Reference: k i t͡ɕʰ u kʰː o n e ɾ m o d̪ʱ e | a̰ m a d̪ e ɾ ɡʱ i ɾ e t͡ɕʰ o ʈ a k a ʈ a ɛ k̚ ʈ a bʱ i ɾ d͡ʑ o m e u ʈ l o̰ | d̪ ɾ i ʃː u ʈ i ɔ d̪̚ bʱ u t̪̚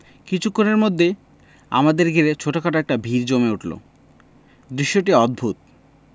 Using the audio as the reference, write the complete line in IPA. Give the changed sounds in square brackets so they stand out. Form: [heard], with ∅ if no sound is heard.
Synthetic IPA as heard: k i t͡ɕʰ u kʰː o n e ɾ m o [d̪ʱː] e | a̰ m a d̪ e ɾ ɡʱ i ɾ e t͡ɕʰ o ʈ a k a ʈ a ɛ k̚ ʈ a bʱ i ɾ d͡ʑ o m e u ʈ l o̰ | d̪ ɾ i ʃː [o] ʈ i ɔ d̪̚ bʱ u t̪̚